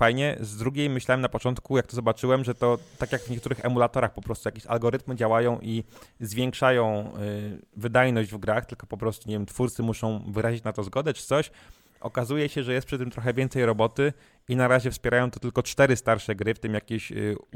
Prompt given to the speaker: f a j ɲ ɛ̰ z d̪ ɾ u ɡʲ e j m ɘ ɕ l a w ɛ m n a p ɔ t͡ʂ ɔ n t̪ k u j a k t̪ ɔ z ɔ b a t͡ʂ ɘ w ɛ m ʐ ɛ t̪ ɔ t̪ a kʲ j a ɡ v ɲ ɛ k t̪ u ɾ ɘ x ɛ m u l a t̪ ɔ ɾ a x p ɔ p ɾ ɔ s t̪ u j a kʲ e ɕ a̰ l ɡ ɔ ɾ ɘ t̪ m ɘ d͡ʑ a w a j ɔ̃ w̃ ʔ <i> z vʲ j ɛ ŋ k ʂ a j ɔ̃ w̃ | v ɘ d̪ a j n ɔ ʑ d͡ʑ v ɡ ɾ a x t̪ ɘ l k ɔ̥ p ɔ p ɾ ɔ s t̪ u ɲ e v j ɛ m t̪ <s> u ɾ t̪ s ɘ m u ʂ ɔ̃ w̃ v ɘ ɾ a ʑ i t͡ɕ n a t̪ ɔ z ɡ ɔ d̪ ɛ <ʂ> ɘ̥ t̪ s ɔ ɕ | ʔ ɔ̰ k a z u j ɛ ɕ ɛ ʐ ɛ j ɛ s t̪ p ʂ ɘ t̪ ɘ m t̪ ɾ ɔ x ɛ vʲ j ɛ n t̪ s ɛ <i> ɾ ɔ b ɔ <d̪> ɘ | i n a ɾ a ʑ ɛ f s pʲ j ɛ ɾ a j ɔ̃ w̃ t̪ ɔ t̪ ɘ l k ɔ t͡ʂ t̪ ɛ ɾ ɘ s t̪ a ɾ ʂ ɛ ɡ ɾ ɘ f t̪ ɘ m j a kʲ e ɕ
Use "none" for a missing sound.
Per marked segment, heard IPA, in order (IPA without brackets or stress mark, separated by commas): i, f, t͡ʂ, j, t̪